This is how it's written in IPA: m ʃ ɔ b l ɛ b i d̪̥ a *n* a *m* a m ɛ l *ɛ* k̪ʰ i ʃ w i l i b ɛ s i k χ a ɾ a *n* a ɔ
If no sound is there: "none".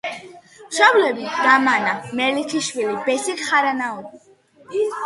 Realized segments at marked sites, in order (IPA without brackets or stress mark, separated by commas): m, n, i, n